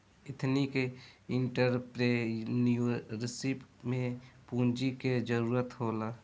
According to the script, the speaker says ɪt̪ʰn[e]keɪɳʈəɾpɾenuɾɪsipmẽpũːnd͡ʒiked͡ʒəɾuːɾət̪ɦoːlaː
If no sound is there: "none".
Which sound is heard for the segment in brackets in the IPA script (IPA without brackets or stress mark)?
i